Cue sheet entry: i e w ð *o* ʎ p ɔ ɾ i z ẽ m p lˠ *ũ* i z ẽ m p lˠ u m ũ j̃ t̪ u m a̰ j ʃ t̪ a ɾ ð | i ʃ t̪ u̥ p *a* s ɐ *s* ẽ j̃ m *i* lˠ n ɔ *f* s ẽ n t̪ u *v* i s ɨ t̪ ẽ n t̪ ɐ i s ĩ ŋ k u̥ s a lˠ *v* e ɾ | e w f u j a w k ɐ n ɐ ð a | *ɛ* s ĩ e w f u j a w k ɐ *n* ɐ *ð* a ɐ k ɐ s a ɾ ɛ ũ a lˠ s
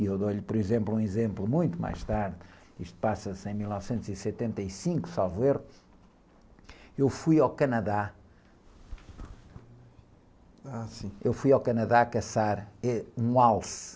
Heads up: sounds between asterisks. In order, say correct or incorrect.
correct, correct, correct, correct, correct, incorrect, incorrect, correct, incorrect, correct, correct

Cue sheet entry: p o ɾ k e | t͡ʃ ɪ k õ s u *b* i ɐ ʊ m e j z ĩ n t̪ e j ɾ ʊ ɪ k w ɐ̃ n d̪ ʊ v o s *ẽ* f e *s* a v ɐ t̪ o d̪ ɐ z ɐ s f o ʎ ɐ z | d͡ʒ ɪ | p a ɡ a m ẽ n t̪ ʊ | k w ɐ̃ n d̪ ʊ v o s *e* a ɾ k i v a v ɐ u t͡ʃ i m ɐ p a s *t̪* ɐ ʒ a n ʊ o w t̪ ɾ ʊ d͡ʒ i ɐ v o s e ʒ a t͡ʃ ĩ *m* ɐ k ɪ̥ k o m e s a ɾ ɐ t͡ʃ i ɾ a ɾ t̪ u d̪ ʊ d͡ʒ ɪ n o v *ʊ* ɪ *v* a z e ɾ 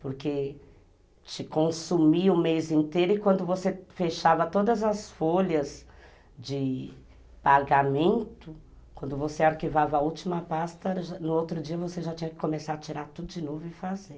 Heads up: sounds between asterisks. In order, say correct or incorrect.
incorrect, incorrect, incorrect, correct, correct, incorrect, correct, incorrect

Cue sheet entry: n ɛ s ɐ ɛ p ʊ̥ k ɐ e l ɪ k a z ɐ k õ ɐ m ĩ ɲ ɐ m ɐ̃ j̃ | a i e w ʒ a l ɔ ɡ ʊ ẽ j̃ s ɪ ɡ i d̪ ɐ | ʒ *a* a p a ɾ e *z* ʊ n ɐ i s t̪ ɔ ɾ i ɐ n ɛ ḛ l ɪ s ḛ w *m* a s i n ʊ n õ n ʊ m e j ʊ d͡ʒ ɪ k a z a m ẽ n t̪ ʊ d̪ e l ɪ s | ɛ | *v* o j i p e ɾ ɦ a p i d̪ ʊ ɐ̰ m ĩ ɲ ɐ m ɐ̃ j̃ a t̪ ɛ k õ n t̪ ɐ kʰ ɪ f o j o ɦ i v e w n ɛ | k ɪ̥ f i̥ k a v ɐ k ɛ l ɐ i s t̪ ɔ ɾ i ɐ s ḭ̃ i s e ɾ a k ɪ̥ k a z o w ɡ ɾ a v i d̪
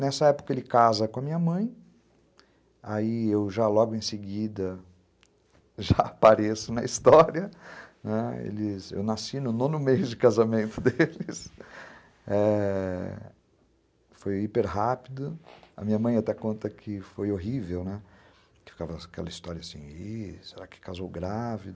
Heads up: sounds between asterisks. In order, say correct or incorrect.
correct, incorrect, incorrect, incorrect

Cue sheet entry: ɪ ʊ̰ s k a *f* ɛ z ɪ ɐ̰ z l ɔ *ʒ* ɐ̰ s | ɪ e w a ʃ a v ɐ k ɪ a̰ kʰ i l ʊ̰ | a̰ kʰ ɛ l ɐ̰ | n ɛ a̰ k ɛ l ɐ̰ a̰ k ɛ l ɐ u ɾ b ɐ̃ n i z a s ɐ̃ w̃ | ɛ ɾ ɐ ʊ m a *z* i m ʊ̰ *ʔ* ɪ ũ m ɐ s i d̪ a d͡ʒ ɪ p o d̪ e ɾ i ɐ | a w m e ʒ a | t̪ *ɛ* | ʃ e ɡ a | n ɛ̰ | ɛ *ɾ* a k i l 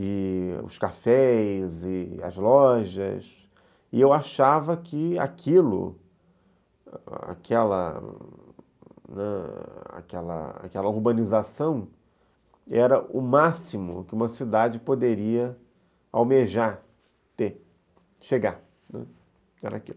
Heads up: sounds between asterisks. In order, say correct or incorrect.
correct, correct, incorrect, incorrect, incorrect, correct

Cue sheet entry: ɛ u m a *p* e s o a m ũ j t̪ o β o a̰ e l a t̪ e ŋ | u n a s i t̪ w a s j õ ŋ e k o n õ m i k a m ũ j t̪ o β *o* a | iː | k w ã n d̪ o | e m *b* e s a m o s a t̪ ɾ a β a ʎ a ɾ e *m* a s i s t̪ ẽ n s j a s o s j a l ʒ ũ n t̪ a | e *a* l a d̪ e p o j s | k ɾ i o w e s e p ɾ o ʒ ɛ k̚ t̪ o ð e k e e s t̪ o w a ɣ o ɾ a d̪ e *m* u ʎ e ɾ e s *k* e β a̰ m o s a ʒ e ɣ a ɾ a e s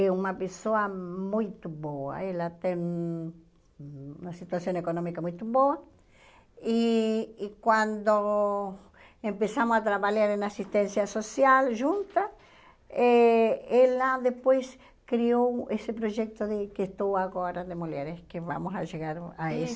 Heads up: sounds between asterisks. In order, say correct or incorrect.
correct, correct, incorrect, incorrect, incorrect, correct, correct

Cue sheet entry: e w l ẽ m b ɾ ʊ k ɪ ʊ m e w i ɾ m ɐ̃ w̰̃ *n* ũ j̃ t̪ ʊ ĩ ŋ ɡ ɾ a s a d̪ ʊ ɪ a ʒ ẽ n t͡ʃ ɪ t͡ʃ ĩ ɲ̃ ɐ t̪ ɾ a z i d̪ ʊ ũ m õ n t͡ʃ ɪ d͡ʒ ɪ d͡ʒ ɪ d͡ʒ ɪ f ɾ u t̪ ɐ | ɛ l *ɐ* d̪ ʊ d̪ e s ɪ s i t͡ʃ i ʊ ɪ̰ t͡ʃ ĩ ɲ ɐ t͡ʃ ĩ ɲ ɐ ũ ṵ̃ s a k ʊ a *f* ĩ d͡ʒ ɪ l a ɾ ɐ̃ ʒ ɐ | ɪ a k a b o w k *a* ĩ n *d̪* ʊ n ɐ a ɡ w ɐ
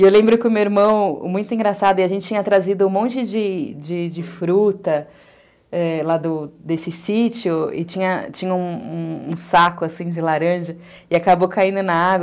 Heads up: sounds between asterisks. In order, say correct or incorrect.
incorrect, incorrect, incorrect, correct, correct

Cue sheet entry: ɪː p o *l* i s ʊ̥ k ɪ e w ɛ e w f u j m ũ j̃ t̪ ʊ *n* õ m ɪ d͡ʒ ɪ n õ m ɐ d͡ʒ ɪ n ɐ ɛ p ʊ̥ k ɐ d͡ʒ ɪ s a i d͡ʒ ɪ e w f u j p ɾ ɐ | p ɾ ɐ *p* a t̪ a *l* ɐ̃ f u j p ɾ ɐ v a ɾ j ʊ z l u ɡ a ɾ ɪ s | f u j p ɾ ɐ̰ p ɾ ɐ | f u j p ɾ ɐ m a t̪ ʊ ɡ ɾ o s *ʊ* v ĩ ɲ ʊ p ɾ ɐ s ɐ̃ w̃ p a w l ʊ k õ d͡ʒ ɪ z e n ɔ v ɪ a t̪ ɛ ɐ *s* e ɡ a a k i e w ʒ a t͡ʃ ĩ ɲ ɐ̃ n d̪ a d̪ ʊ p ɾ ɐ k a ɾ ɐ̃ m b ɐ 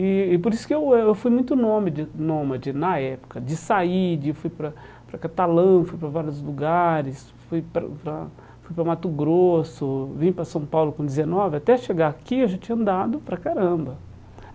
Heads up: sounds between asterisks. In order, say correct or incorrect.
incorrect, correct, incorrect, correct, correct, incorrect

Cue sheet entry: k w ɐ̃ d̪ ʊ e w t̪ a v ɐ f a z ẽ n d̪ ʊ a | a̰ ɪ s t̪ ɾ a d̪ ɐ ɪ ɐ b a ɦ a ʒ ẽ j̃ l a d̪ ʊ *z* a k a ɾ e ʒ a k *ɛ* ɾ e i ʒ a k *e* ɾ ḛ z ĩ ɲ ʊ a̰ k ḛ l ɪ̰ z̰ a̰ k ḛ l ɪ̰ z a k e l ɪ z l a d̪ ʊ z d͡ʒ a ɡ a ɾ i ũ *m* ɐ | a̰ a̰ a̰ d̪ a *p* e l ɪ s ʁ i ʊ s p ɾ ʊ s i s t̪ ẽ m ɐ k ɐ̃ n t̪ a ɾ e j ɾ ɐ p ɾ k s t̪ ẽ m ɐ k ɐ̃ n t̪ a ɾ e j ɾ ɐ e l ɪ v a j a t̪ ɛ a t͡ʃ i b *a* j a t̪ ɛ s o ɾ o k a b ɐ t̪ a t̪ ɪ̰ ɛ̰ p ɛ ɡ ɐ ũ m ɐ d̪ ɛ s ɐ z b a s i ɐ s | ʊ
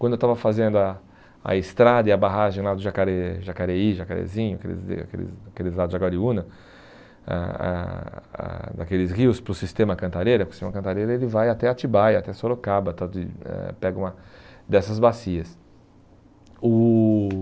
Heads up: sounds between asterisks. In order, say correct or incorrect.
incorrect, incorrect, incorrect, incorrect, incorrect, correct

